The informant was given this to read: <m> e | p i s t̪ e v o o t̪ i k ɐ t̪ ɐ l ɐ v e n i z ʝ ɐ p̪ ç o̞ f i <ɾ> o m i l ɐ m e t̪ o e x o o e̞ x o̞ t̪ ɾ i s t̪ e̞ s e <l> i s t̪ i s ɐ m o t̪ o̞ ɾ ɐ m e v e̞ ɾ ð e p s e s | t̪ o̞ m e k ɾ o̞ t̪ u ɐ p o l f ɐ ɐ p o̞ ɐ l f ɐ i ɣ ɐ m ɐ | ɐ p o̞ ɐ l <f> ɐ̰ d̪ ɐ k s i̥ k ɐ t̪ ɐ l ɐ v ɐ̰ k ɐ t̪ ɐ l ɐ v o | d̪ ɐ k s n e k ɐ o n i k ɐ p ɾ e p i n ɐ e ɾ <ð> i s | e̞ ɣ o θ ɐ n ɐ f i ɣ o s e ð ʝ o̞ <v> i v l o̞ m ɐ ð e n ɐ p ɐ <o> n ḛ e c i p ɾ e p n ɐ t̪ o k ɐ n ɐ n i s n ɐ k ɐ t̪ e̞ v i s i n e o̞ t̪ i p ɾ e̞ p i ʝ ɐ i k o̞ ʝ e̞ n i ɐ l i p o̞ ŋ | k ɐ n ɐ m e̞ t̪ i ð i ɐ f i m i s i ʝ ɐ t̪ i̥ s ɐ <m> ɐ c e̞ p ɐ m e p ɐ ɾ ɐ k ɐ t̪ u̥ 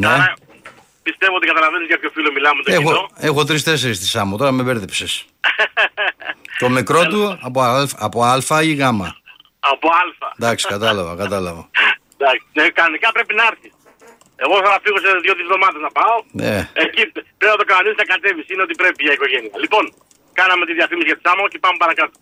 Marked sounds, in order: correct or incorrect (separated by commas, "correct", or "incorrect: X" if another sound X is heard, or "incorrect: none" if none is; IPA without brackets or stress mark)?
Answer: incorrect: n, incorrect: l, incorrect: ɾ, correct, incorrect: θ, incorrect: ð, correct, correct